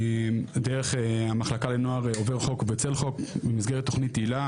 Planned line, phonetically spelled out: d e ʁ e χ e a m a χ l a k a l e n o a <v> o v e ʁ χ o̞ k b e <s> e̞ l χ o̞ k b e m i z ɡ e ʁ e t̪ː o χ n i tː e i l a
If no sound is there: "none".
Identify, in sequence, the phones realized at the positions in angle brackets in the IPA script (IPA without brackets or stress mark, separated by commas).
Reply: ʁ, t͡s